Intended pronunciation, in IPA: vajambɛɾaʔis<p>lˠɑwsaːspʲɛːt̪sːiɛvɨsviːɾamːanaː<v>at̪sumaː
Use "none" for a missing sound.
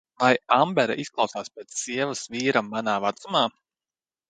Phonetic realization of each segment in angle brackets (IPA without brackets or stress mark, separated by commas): k, v